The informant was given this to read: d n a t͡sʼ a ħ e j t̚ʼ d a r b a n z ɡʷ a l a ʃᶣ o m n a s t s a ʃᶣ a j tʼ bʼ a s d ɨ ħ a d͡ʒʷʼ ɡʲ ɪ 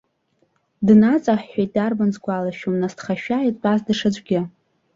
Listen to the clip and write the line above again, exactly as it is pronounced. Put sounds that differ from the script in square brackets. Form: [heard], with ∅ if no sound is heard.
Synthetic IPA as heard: d n a t͡sʼ a ħ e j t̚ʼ d a r b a n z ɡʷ a l a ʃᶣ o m n a s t [χ] a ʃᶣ a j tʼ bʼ a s d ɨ [ʂ] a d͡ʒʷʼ ɡʲ ɪ